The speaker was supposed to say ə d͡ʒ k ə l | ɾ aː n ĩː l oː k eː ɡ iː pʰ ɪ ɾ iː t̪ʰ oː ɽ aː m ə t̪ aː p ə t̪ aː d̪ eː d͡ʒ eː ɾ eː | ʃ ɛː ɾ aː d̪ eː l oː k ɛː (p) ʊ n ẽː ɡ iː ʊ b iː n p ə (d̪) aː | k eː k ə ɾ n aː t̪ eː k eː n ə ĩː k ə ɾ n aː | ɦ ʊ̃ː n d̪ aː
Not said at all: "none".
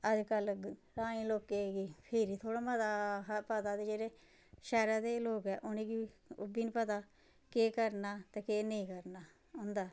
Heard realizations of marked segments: ʔ, t̪

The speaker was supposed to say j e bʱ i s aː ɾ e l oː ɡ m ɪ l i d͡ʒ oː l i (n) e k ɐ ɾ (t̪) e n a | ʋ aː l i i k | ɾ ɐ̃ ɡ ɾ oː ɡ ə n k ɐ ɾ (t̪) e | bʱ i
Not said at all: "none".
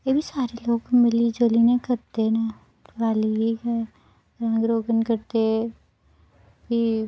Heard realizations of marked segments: n, t̪, t̪

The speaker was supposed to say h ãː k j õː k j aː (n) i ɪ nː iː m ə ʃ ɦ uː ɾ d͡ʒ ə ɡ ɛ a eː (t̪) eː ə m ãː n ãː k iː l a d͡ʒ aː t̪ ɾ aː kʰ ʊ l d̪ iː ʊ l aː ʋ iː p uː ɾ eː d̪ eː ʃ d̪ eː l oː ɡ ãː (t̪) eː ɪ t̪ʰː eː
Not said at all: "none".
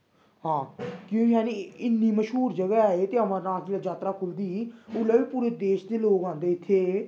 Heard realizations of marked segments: n, t̪, d̪

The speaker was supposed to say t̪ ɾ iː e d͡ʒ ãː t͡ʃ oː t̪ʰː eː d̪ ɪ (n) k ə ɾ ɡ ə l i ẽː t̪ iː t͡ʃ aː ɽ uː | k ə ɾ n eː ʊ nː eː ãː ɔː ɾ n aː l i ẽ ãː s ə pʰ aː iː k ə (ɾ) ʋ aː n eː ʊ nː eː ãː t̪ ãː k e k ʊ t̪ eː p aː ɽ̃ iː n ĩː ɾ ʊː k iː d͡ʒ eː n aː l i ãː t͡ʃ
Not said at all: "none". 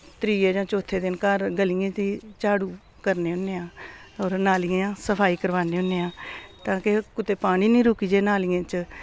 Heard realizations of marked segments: n, ɾ

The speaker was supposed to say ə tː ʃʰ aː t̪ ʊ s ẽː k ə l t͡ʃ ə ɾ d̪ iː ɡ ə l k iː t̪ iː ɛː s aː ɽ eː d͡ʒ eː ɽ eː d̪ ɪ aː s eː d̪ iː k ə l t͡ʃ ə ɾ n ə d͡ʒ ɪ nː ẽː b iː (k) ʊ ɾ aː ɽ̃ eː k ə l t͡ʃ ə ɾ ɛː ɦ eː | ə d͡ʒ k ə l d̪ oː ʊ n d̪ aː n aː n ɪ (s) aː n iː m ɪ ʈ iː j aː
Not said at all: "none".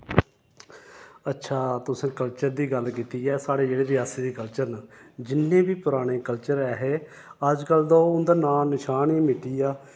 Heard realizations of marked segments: p, ʃ

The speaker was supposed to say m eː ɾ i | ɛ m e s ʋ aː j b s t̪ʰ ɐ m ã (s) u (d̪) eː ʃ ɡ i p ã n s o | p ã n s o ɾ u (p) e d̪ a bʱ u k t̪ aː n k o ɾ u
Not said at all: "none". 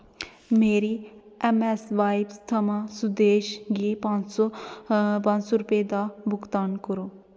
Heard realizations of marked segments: s, d̪, p

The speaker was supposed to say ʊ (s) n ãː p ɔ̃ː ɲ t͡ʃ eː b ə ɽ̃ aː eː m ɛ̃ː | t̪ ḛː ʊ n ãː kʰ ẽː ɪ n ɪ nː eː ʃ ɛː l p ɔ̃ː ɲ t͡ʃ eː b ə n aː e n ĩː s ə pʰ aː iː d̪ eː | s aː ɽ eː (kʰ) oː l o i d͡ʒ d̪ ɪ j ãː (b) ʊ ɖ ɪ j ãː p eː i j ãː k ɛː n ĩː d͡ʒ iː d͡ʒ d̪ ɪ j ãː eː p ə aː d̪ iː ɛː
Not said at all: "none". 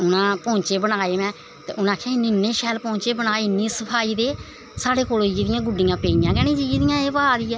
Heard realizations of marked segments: none, k, ɡ

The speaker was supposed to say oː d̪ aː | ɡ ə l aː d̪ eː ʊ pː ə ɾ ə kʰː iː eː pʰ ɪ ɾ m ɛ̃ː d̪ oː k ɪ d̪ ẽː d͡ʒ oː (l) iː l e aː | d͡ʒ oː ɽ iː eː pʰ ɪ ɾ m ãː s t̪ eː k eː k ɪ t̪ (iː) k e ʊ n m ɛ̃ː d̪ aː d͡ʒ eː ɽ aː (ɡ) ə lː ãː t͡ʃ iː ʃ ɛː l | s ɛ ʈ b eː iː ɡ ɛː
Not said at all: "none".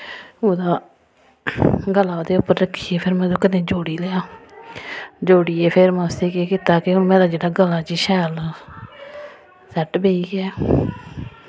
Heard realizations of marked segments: ɽ, aː, ɡ

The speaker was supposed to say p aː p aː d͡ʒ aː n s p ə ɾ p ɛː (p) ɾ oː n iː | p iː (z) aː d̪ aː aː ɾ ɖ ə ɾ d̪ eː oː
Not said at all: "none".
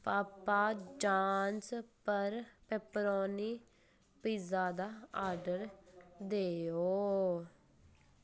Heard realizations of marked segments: p, z

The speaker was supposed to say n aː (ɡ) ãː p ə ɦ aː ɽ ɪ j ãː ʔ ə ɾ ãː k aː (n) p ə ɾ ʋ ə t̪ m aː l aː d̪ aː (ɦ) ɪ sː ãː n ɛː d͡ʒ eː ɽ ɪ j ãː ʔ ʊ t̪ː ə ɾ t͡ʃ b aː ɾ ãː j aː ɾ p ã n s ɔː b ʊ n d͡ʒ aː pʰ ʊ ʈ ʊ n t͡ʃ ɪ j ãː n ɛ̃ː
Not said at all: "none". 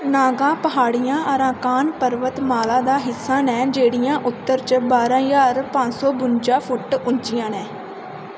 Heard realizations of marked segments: ɡ, n, ɦ

